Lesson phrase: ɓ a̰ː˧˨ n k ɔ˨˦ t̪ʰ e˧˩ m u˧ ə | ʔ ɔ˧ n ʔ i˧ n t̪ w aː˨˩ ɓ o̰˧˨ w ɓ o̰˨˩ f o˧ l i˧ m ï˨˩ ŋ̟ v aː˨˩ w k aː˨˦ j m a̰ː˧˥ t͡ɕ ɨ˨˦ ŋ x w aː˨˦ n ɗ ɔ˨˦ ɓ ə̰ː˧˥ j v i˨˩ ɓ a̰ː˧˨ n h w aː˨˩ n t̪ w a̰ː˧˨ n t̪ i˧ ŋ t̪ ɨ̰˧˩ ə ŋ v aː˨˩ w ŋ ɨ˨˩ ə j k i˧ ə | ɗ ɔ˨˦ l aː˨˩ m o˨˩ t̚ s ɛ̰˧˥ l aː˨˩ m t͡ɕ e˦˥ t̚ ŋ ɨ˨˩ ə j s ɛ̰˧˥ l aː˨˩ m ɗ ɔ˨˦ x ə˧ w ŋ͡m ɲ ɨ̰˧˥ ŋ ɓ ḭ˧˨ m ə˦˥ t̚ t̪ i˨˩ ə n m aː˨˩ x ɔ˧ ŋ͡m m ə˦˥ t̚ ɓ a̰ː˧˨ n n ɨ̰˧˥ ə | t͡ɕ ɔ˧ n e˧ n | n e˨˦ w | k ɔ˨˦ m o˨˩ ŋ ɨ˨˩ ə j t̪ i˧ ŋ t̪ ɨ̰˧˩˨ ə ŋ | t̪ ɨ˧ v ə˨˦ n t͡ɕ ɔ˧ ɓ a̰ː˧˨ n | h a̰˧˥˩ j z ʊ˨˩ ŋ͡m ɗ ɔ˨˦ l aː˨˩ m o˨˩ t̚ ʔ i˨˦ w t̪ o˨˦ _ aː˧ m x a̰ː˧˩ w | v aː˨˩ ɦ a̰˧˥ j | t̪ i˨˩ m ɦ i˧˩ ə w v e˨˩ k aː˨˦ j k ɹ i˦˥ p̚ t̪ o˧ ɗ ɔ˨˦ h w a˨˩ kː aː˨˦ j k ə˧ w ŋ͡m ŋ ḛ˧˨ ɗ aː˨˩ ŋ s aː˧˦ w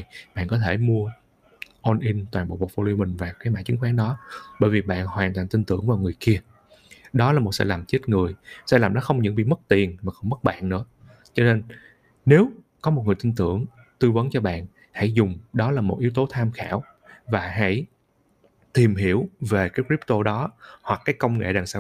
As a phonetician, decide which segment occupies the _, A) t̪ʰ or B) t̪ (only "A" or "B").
A